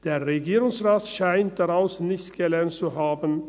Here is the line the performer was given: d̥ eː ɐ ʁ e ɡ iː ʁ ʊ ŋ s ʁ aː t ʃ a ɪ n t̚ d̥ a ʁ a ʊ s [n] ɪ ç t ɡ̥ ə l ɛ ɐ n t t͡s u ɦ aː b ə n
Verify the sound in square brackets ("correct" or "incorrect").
correct